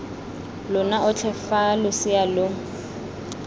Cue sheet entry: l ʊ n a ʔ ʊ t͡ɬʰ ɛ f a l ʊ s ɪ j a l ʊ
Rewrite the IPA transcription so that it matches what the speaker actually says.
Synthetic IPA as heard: l ʊ n a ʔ ʊ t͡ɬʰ ɛ f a l ʊ s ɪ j a l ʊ